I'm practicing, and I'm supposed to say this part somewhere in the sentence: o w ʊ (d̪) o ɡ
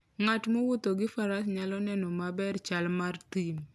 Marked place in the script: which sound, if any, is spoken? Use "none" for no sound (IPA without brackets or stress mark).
t̪